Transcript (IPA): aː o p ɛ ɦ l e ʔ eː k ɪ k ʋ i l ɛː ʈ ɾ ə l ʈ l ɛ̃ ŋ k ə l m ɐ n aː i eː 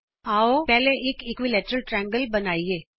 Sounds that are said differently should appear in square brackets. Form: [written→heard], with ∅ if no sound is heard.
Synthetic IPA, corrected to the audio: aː o p ɛ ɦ l e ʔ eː k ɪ k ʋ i l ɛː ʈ ɾ ə l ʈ [l→ɾ] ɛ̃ ŋ [k→ɡ] ə l [m→b] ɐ n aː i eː